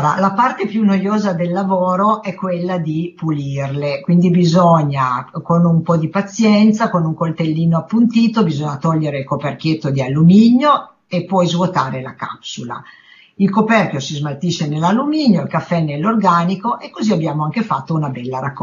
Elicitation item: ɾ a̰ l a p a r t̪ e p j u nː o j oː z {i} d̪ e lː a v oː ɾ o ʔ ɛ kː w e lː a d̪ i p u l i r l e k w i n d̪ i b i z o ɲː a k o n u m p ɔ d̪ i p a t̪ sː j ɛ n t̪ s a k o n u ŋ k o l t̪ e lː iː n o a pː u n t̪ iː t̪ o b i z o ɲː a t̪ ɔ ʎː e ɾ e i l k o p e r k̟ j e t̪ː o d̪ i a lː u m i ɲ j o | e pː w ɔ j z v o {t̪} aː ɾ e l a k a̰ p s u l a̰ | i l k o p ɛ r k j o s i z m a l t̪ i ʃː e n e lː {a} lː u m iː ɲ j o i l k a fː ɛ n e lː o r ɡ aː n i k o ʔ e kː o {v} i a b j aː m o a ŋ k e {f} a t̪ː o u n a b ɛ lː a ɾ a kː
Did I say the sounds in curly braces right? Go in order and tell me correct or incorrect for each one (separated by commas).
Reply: incorrect, correct, correct, incorrect, correct